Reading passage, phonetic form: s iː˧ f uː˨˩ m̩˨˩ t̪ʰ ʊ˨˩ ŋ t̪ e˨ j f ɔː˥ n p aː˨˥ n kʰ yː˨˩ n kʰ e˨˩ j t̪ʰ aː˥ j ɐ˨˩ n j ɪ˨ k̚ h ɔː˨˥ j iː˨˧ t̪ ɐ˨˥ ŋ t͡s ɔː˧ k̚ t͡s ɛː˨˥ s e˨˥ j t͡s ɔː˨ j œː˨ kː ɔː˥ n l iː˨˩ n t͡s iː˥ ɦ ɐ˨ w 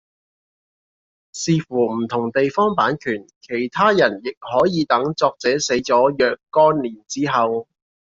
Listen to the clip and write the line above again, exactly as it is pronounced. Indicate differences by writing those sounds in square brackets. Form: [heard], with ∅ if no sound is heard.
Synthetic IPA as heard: s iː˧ f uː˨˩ m̩˨˩ t̪ʰ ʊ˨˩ ŋ t̪ e˨ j f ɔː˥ [ŋ] p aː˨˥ n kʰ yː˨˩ n kʰ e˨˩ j t̪ʰ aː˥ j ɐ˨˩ n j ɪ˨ k̚ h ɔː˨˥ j iː˨˧ t̪ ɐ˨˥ ŋ t͡s ɔː˧ k̚ t͡s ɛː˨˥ s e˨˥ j t͡s [ɔː˨˥] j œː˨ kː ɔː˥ n l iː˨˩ n t͡s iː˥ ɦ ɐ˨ w

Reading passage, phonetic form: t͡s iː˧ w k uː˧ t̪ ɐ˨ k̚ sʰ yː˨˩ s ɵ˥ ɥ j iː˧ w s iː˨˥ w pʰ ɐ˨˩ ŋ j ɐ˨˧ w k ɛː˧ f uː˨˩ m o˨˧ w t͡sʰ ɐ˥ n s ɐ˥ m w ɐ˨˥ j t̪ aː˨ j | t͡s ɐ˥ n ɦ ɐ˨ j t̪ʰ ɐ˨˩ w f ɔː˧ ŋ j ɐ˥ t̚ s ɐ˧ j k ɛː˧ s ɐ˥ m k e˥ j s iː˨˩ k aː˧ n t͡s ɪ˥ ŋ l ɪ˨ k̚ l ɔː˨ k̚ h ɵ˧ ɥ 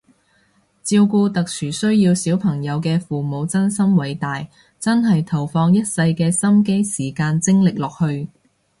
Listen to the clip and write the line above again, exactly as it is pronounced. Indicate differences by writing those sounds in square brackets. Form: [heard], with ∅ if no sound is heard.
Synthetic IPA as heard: t͡s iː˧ w k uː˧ t̪ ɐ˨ k̚ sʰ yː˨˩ s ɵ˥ ɥ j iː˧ w s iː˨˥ w pʰ ɐ˨˩ ŋ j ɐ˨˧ w k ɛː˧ f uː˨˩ m o˨˧ w [t͡s] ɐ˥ n s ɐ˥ m w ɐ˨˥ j t̪ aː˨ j | t͡s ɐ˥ n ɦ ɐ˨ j t̪ʰ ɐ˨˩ w f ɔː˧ ŋ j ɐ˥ t̚ s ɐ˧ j k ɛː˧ s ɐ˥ m k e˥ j s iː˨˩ k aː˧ n t͡s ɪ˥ ŋ l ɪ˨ k̚ l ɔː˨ k̚ h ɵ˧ ɥ

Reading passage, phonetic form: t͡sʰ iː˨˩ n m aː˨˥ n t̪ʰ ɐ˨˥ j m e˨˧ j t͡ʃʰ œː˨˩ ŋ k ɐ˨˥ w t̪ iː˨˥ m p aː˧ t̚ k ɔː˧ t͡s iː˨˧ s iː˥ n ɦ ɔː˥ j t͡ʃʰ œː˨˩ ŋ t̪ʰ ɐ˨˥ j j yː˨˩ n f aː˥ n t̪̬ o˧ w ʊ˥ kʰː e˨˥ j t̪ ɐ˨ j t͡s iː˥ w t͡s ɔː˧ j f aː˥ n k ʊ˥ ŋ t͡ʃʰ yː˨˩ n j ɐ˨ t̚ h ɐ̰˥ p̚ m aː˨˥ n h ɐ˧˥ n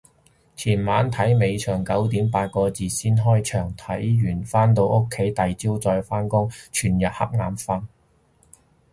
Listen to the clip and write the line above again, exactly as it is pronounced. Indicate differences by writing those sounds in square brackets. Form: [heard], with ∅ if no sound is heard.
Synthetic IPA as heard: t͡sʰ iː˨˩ n m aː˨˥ n t̪ʰ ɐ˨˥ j m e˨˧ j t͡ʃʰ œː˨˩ ŋ k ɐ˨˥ w t̪ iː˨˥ m p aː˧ t̚ k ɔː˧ t͡s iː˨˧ s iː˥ n ɦ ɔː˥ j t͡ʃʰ œː˨˩ ŋ t̪ʰ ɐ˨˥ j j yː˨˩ n f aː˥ n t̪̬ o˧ w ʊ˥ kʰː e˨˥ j t̪ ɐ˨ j t͡s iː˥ w t͡s ɔː˧ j f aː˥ n k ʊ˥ ŋ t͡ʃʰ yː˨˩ n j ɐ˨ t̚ h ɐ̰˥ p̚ [ŋ] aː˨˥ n [f] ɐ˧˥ n

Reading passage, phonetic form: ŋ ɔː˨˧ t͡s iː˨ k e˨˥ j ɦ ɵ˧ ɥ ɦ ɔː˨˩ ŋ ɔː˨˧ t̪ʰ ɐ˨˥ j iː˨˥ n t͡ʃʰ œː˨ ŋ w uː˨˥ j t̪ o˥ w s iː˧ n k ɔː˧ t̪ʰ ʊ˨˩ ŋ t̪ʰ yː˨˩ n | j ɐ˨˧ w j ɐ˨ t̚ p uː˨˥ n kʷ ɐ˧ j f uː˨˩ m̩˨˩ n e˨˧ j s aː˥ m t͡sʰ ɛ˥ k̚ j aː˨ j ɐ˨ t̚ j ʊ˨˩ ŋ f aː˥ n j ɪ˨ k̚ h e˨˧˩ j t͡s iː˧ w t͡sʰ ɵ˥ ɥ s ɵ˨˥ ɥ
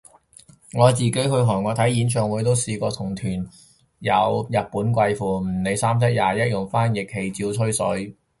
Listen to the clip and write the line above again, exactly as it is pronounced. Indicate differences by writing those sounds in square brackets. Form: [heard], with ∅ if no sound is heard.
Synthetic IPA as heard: ŋ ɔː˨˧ t͡s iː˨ k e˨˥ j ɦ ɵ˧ ɥ ɦ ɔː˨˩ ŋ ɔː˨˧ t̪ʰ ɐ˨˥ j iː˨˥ n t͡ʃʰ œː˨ ŋ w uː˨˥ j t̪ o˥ w s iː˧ [∅] k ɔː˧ t̪ʰ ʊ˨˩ ŋ t̪ʰ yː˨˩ n | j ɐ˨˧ w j ɐ˨ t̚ p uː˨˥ n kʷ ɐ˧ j f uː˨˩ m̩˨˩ n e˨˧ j s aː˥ m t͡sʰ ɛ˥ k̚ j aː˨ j [ɐ˥] t̚ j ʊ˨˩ ŋ f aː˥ n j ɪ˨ k̚ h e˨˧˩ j t͡s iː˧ w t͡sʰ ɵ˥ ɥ s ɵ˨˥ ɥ

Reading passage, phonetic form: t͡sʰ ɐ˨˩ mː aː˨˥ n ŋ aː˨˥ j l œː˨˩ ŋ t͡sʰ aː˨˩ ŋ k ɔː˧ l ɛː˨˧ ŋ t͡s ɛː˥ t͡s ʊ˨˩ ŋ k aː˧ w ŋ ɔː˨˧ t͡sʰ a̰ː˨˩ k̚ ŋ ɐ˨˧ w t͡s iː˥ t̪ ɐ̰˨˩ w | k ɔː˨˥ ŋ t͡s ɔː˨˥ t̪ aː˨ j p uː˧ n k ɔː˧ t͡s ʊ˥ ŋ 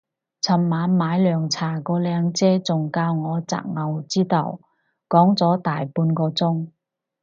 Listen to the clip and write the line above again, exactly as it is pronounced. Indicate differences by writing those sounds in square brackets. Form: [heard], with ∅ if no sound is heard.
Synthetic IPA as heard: t͡sʰ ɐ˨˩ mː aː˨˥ n [m] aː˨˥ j l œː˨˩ ŋ t͡sʰ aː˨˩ [∅] k ɔː˧ l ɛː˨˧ ŋ t͡s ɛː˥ t͡s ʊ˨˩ ŋ k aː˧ w ŋ ɔː˨˧ [t͡s] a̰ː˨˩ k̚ ŋ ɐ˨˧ w t͡s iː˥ t̪ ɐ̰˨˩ w | k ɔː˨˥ ŋ t͡s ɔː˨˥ t̪ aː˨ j p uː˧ n k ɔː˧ t͡s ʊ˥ ŋ

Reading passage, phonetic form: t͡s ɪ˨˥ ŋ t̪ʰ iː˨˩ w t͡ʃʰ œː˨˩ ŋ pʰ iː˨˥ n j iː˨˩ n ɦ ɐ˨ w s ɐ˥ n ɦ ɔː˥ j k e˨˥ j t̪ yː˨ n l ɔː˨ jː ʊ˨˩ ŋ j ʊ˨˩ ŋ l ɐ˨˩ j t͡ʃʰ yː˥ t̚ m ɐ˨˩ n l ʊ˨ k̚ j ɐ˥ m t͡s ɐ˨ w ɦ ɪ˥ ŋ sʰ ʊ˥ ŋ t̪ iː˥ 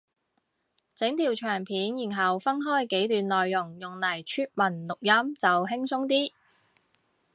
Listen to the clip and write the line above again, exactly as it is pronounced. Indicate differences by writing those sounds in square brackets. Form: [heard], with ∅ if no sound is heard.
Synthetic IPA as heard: t͡s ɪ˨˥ ŋ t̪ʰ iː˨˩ w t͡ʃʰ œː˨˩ ŋ pʰ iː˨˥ n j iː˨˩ n ɦ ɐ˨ w [f] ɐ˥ n ɦ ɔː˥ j k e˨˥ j t̪ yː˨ n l ɔː˨ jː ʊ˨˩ ŋ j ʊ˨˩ ŋ l ɐ˨˩ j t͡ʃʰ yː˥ t̚ m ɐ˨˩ n l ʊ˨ k̚ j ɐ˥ m t͡s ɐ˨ w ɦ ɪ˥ ŋ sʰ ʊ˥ ŋ t̪ iː˥

